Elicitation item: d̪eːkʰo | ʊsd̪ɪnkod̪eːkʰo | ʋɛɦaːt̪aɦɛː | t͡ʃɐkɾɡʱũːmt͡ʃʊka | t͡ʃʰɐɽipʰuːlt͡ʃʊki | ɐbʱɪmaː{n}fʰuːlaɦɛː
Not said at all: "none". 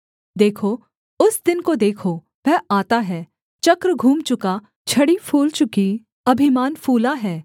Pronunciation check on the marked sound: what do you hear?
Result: n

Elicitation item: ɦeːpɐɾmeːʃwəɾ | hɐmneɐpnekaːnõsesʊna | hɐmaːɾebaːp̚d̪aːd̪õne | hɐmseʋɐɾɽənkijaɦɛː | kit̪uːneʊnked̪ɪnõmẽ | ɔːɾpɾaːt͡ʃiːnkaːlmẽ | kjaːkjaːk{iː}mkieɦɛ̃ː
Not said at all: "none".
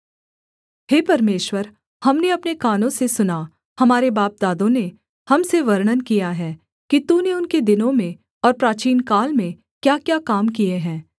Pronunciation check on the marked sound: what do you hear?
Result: aː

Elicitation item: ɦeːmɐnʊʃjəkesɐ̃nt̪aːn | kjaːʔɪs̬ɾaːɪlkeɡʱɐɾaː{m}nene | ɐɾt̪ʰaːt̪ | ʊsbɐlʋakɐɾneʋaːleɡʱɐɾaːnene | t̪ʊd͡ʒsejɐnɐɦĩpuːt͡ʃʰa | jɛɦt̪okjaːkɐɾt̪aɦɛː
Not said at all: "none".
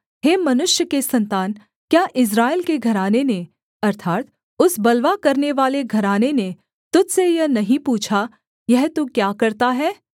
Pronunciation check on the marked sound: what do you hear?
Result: none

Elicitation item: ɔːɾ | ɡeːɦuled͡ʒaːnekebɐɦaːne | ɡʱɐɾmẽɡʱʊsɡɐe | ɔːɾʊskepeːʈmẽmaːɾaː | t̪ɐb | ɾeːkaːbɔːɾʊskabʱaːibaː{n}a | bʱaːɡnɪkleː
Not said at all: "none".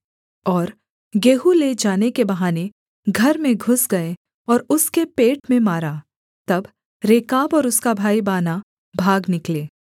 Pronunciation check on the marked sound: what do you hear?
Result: n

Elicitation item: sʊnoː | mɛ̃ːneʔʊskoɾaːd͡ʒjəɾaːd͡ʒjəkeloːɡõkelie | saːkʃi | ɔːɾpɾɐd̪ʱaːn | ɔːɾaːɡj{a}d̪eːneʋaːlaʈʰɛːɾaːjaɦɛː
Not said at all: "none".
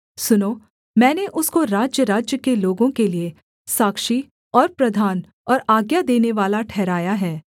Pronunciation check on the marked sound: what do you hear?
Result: a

